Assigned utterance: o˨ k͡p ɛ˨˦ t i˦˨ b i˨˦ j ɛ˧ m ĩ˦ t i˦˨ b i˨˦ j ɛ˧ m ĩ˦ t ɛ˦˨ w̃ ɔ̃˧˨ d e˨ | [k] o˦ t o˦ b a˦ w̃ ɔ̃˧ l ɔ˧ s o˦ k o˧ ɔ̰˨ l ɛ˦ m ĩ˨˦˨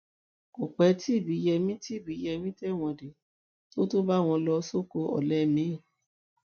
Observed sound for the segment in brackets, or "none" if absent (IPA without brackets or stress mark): t